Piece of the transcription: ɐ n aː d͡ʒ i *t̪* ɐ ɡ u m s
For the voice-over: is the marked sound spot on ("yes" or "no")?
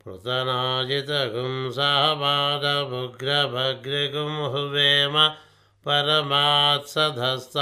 yes